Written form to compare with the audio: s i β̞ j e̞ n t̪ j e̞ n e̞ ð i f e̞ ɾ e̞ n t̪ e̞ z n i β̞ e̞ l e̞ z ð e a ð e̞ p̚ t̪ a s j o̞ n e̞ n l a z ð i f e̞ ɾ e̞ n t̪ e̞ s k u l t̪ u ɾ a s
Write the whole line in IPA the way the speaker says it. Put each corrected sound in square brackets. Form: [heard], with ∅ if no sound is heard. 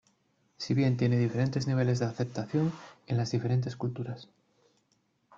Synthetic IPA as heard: s i β̞ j e̞ n t̪ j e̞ n e̞ ð i f e̞ ɾ e̞ n t̪ e̞ z n i β̞ e̞ l e̞ z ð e a [θ] e̞ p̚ t̪ a [θ] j o̞ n e̞ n l a z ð i f e̞ ɾ e̞ n t̪ e̞ s k u l t̪ u ɾ a s